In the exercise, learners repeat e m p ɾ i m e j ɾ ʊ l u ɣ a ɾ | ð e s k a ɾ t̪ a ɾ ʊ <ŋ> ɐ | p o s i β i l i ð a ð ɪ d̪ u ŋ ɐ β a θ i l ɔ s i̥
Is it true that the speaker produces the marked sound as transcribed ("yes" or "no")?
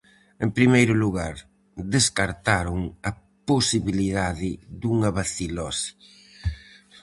yes